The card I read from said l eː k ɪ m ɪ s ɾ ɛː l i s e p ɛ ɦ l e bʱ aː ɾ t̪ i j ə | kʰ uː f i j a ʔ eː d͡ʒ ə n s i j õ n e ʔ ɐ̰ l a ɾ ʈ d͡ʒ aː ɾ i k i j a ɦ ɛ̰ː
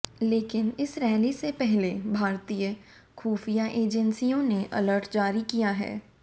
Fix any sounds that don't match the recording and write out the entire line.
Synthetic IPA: l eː k ɪ n ɪ s ɾ ɛː l i s e p ɛ ɦ l e bʱ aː ɾ t̪ i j ə | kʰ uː f i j a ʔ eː d͡ʒ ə n s i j õ n e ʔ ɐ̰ l ə ɾ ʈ d͡ʒ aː ɾ i k i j a ɦ ɛ̰ː